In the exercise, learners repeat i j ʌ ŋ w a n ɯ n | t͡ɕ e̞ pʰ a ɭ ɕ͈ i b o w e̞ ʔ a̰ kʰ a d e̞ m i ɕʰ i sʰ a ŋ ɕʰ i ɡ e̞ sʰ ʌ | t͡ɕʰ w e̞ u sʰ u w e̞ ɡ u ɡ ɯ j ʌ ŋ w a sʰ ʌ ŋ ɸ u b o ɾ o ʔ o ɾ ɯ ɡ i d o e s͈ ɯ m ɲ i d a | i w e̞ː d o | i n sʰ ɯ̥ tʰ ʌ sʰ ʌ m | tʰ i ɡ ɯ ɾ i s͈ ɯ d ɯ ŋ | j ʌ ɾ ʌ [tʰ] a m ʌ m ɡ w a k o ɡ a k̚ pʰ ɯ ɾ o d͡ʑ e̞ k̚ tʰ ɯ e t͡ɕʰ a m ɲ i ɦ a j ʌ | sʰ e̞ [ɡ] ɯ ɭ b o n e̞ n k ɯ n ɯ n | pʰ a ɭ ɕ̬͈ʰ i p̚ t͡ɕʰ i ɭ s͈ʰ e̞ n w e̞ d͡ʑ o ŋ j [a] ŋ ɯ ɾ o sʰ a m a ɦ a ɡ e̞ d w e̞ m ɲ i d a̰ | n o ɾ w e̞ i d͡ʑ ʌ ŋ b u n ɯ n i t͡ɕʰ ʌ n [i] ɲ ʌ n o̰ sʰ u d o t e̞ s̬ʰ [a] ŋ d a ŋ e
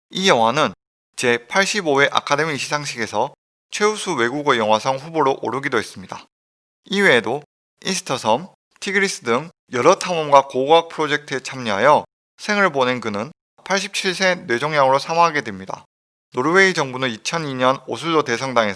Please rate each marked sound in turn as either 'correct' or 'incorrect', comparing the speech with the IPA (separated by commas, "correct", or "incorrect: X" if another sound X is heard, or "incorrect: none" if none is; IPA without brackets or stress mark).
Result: correct, incorrect: ŋ, correct, correct, incorrect: ʌ